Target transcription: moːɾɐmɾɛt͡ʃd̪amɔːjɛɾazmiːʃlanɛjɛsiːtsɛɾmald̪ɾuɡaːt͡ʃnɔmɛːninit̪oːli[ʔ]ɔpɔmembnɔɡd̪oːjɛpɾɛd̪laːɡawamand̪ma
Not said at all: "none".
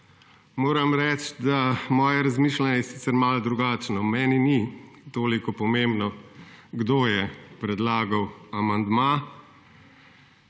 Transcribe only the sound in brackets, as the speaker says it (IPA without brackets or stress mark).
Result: k